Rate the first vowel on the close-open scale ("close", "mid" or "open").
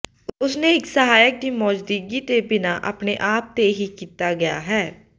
close